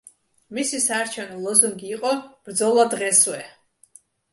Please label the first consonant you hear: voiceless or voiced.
voiced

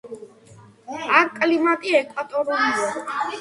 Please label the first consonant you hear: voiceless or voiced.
voiceless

